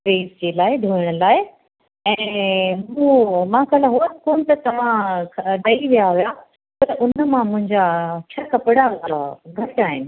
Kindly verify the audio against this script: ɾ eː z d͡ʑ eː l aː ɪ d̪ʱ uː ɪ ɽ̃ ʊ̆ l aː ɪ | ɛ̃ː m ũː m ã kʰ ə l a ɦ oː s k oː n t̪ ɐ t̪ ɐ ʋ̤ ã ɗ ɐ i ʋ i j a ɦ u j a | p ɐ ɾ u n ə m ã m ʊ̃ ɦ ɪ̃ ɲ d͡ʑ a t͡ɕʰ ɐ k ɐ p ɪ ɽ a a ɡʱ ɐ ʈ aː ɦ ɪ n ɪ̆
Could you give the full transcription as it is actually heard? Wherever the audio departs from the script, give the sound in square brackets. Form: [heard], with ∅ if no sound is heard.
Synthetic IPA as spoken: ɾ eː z d͡ʑ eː l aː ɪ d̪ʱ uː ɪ ɽ̃ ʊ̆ l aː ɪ | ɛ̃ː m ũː m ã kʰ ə l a ɦ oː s k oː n t̪ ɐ t̪ ɐ ʋ̤ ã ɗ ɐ i ʋ i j a ɦ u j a | p ɐ ɾ [ʊ] n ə m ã m ʊ̃ ɦ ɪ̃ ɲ d͡ʑ a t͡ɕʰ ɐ k ɐ p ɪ ɽ a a ɡʱ ɐ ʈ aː ɦ ɪ n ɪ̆